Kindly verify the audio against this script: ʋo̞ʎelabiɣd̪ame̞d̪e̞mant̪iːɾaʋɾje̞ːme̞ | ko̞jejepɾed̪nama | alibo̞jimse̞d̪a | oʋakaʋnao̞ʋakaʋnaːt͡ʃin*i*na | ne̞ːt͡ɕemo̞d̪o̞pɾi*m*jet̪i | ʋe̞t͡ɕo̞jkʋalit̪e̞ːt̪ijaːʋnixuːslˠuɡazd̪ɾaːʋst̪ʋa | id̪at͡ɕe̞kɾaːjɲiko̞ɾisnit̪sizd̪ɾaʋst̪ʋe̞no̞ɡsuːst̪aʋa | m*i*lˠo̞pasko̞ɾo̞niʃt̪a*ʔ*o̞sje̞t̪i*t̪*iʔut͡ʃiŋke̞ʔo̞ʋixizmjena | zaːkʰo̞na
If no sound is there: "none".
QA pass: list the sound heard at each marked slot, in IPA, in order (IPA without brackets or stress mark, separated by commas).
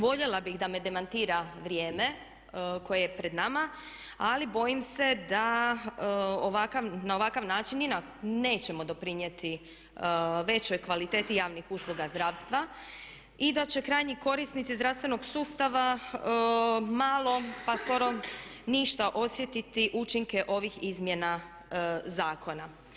i, ɲ, a, ʔ, t̪